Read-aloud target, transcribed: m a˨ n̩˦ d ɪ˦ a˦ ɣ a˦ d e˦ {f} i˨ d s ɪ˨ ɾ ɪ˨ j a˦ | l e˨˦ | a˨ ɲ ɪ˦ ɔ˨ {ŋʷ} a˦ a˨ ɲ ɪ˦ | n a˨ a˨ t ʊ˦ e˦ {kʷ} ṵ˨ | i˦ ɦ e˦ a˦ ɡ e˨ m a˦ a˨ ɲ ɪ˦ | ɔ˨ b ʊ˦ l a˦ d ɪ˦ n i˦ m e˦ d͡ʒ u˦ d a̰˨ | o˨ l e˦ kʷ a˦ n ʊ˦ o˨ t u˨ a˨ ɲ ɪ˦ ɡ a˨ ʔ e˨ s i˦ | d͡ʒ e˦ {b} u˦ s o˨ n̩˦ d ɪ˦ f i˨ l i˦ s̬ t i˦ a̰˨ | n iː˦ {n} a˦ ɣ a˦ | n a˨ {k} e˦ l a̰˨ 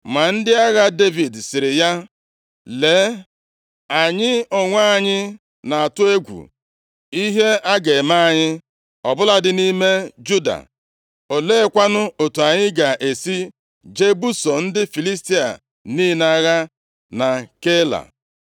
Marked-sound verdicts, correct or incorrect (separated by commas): incorrect, correct, incorrect, correct, correct, correct